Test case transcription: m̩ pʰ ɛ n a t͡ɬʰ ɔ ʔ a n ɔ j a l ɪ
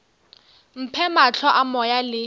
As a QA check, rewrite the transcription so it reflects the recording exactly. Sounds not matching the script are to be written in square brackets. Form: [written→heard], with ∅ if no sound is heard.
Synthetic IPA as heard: m̩ pʰ ɛ [n→m] a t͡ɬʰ ɔ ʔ a [n→m] ɔ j a l ɪ